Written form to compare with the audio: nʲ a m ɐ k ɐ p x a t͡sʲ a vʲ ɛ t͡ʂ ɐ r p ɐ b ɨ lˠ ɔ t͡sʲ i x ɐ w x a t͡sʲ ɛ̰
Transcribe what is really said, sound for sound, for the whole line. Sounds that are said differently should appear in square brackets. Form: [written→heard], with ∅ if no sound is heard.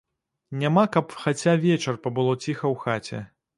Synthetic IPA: nʲ a m [ɐ→a] k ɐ p x a t͡sʲ a vʲ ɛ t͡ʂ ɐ r p ɐ b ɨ lˠ ɔ t͡sʲ i x ɐ w x a t͡sʲ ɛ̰